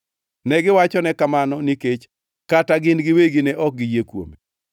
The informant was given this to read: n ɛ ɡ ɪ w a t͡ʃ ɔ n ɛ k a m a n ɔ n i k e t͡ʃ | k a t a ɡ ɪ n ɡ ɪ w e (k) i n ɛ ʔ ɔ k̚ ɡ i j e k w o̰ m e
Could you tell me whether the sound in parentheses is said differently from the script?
yes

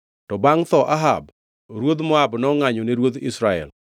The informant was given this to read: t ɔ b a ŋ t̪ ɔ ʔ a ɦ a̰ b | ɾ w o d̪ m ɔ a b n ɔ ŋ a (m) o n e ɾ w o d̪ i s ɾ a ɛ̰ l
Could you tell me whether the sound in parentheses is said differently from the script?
yes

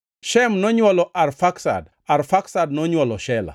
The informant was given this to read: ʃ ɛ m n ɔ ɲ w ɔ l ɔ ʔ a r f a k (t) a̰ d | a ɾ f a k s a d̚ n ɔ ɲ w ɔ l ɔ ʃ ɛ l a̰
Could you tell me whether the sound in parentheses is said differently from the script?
yes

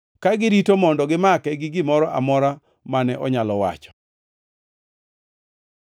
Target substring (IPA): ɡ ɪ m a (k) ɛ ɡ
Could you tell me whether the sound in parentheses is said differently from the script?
no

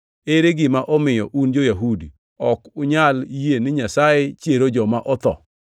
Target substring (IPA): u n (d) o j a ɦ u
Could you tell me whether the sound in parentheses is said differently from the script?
yes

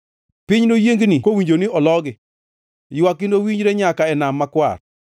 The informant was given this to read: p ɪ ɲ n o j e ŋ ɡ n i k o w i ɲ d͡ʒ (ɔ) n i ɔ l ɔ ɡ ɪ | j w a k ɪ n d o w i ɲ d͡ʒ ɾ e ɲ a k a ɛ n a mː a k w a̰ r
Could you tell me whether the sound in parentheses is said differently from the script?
yes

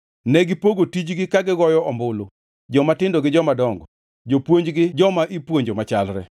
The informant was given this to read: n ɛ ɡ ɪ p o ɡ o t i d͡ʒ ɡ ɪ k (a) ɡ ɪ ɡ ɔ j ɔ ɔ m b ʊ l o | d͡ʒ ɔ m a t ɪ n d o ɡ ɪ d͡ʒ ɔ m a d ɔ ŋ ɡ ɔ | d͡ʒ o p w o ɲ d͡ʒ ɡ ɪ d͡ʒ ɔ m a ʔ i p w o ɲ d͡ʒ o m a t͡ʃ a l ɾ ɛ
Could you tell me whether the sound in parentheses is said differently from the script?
no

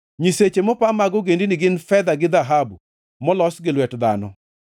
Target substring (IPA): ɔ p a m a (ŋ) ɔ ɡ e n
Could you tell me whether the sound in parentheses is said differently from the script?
yes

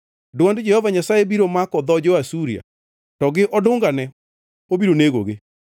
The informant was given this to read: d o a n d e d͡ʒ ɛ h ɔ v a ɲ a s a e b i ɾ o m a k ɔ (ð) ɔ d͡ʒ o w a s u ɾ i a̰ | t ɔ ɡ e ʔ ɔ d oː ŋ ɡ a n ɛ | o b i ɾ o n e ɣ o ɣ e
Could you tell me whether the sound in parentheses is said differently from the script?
no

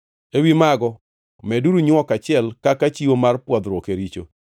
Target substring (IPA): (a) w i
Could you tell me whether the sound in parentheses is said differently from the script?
yes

